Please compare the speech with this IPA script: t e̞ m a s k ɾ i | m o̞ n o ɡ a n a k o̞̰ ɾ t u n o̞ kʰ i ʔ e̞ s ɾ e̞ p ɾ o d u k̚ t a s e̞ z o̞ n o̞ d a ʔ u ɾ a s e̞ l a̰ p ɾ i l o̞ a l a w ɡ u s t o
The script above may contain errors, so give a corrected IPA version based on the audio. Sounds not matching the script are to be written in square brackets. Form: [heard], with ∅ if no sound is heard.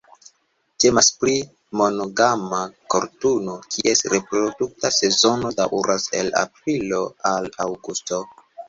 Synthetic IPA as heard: t e̞ m a s [p] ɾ i | m o̞ n o ɡ a [m] a k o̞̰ ɾ t u n o̞ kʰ i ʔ e̞ s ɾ e̞ p ɾ o d u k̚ t a s e̞ z o̞ n o̞ d a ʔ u ɾ a s e̞ l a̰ p ɾ i l o̞ a l a w ɡ u s t o